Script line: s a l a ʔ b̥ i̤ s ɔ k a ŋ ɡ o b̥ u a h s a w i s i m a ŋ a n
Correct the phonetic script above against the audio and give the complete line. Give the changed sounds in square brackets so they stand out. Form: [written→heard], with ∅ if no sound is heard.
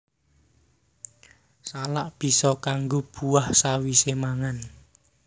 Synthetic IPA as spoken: s a l a ʔ b̥ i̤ s ɔ k a ŋ ɡ o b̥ u a h s a w i s [i→e] m a ŋ a n